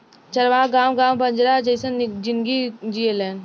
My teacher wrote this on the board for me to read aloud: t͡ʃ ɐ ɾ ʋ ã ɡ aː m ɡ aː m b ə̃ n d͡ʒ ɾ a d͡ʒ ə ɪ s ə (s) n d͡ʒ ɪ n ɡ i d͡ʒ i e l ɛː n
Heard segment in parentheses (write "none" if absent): none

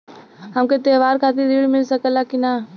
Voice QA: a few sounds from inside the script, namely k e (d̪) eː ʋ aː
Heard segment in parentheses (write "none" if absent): t̪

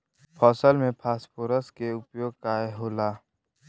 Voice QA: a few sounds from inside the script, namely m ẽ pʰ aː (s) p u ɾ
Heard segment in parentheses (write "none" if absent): s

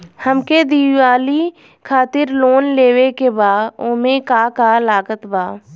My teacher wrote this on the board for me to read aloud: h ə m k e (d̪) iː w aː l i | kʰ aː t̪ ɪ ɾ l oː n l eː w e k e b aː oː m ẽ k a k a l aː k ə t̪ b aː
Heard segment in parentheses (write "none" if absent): d̪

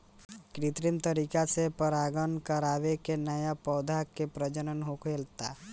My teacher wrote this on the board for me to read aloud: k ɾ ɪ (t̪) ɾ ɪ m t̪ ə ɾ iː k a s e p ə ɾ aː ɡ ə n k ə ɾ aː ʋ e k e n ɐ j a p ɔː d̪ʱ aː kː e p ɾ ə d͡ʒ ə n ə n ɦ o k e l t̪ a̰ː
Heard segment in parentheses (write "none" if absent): t̪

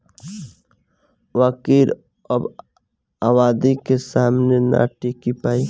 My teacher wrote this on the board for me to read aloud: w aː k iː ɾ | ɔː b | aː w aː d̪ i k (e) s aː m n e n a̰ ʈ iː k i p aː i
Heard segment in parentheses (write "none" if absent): e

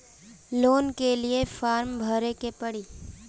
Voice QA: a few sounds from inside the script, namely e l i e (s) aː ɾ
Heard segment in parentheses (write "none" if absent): f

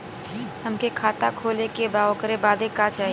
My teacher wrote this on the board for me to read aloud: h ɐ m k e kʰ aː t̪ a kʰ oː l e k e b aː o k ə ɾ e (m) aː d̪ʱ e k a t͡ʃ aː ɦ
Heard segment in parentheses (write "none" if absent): b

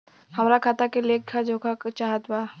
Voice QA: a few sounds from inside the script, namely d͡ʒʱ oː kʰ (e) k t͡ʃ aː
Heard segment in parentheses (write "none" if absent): a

